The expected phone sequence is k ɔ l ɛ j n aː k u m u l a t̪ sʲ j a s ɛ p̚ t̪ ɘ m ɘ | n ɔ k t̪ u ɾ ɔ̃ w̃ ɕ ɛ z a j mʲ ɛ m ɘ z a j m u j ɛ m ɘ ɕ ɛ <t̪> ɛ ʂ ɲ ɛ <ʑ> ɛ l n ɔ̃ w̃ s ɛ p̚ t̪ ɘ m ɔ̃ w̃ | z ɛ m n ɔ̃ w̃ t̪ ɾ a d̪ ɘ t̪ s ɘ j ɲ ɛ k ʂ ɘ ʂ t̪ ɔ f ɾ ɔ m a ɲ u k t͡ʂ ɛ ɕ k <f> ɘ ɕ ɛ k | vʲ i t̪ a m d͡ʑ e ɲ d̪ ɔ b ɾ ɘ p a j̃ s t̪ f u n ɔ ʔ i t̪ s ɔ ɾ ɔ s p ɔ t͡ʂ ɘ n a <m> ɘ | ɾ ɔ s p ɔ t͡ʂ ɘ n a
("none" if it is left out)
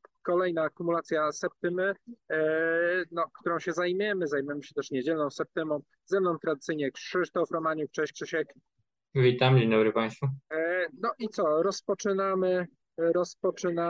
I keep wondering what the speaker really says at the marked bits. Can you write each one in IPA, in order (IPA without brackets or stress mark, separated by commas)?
t̪, d͡ʑ, ʂ, m